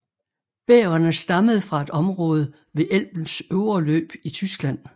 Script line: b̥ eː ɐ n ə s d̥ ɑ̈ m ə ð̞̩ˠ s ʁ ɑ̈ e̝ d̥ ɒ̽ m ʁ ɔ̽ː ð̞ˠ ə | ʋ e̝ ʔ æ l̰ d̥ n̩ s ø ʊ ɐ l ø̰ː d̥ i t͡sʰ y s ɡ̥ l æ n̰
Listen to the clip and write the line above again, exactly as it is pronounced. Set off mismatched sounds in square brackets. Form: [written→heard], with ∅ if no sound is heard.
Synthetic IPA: b̥ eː ɐ n ə s d̥ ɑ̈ m ə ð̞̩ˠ [s→f] ʁ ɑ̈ e̝ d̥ ɒ̽ m ʁ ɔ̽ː ð̞ˠ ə | ʋ e̝ ʔ [æ→e] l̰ [d̥→b̥] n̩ s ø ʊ ɐ l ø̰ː [d̥→b̥] i t͡sʰ y s ɡ̥ l æ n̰